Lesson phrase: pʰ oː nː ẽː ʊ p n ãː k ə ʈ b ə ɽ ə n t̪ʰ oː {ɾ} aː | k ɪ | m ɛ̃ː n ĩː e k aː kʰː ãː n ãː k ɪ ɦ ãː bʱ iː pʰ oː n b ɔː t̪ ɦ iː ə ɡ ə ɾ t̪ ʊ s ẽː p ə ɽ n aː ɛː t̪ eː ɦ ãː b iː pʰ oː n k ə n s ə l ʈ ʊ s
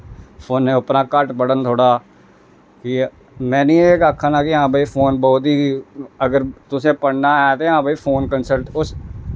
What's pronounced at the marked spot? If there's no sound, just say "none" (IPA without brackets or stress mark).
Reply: ɽ